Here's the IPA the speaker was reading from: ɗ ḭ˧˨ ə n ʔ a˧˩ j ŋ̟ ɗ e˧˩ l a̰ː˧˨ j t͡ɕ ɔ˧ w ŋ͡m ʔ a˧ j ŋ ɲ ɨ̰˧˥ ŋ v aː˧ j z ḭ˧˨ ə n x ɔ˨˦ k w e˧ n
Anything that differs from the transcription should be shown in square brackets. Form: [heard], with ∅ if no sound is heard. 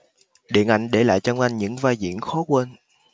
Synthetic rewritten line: ɗ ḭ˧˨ ə n ʔ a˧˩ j ŋ̟ ɗ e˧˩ l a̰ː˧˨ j t͡ɕ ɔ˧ w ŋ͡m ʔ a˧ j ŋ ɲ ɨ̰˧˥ ŋ v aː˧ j z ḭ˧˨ ə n x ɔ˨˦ k w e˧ n